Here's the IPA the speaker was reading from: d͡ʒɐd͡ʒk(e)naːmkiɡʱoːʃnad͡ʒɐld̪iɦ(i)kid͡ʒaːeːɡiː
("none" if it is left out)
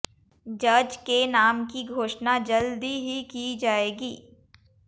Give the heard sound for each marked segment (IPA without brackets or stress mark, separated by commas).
e, i